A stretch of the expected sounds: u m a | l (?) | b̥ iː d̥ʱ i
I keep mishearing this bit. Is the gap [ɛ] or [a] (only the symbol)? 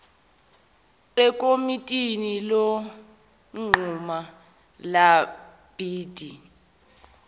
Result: a